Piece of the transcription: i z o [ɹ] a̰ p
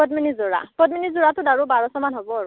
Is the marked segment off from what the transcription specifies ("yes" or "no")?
no